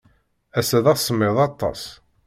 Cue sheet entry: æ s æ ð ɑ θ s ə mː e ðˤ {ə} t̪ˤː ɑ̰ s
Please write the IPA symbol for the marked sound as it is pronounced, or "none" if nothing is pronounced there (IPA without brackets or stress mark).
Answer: ɑ